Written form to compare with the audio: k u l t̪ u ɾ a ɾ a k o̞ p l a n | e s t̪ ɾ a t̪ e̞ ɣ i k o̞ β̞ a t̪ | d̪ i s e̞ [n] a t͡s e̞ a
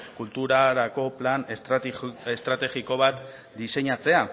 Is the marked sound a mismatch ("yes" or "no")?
yes